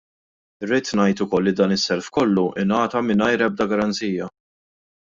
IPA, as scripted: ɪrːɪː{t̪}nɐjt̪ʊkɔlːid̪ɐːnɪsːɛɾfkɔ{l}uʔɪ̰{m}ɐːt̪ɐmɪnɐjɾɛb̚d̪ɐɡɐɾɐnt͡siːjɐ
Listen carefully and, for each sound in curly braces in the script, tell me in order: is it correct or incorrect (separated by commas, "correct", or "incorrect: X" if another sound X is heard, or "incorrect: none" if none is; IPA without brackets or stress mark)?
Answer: correct, incorrect: lː, incorrect: n